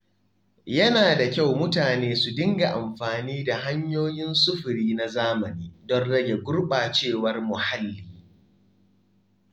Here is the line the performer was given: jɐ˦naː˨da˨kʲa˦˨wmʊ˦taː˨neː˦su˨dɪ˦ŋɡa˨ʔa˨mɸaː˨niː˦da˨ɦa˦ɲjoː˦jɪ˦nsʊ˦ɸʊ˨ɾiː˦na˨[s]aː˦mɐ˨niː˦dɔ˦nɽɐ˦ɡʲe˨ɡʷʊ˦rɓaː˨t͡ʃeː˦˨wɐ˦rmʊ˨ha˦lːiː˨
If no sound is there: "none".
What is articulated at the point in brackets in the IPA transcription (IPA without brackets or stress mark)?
z